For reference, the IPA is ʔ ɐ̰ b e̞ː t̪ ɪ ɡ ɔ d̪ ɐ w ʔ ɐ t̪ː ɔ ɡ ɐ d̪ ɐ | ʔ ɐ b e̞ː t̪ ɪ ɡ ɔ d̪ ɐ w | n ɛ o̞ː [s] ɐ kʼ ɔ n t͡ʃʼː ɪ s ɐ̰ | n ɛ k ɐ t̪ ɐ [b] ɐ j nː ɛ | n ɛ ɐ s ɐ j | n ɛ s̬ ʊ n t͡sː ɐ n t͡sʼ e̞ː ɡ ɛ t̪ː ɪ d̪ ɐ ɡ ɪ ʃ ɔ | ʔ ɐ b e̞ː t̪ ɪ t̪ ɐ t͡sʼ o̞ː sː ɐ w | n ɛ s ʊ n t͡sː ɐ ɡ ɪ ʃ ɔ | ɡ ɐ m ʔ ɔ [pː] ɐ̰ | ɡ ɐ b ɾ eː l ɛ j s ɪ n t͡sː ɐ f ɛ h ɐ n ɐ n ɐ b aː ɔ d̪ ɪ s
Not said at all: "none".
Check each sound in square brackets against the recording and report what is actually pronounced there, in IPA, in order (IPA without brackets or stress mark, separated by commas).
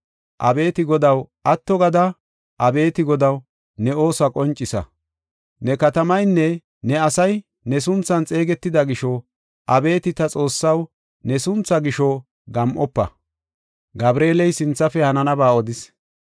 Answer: s, m, pː